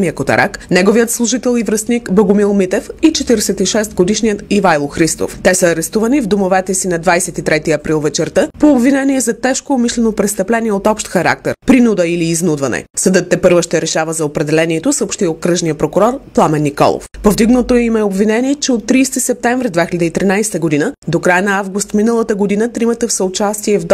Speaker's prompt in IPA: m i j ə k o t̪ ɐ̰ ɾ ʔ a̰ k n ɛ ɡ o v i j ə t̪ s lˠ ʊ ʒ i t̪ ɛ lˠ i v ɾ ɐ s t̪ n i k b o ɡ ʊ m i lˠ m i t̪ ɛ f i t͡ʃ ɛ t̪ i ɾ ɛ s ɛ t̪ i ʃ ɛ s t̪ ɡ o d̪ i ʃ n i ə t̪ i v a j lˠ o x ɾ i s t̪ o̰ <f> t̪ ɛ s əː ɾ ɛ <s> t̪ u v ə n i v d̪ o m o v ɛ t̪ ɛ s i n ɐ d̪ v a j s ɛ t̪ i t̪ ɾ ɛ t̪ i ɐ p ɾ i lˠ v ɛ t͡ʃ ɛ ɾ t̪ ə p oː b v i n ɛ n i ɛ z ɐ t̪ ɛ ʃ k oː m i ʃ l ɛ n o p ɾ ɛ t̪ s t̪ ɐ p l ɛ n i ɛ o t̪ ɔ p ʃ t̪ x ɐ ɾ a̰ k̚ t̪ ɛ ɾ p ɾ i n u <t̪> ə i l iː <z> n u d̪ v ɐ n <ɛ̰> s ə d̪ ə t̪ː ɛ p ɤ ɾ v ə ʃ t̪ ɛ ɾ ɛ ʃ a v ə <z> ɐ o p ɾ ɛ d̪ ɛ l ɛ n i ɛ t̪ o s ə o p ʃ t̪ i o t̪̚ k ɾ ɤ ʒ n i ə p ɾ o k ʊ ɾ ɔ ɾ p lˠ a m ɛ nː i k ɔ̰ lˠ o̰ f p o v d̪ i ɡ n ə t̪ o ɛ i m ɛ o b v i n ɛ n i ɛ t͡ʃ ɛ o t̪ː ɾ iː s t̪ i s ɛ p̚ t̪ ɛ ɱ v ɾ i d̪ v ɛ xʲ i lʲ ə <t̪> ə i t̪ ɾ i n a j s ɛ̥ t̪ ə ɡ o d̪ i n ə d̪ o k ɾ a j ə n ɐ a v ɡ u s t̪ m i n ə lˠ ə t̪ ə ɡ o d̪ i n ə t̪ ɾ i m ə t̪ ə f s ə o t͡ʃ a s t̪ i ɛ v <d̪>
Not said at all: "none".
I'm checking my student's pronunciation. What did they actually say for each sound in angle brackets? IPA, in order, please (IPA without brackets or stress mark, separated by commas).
f, s, d̪, z, ɛ̰, z, d̪, d̪